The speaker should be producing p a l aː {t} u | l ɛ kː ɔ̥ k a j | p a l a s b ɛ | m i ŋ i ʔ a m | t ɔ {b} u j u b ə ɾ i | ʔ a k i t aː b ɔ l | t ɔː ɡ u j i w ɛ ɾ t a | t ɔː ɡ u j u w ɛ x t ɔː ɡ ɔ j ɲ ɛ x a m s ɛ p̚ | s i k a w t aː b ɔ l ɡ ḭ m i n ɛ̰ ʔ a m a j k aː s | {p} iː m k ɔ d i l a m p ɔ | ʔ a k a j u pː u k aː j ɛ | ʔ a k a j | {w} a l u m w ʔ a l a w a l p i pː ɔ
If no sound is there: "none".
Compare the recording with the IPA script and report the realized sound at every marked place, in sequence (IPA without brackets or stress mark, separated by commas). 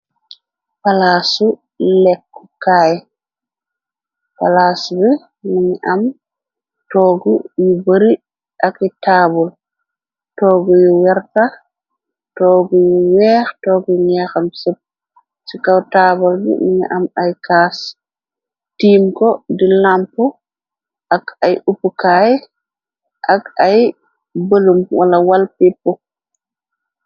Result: s, ɡ, t, b